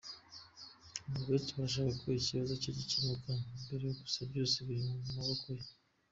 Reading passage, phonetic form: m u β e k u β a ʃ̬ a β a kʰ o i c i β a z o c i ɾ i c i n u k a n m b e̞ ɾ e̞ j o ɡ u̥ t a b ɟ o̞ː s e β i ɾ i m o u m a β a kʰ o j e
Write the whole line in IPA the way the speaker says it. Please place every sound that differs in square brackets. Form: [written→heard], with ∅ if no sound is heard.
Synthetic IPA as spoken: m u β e [k→t] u β a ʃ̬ a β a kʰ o i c i β a z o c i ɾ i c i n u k a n m b e̞ ɾ e̞ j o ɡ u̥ [t→s] a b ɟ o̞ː s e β i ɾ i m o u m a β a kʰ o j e